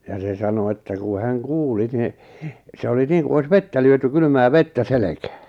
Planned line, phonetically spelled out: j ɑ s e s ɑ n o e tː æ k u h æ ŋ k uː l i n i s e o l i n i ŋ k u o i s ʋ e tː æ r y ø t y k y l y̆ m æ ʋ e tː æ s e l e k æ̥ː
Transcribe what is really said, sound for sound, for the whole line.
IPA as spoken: j ɑ s e s ɑ n o e tː æ k u h æ ŋ k uː l i n i s e o l i n iː ŋ k u o i s ʋ e tː æ l y ø t y k y l y̆ m æː ʋ e tː æ s e l e k æ̥ː